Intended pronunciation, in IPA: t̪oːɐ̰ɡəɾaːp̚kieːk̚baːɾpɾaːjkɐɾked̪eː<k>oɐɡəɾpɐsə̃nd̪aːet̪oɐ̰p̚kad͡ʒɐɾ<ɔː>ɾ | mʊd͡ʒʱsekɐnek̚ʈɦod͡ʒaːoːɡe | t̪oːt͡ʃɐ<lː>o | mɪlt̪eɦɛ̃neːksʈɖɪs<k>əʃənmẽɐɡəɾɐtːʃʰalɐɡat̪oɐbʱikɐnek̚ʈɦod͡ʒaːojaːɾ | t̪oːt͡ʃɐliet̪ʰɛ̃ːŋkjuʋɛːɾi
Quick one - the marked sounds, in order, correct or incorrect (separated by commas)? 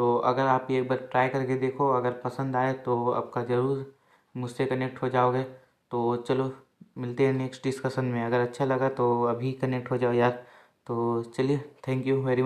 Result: incorrect, incorrect, incorrect, correct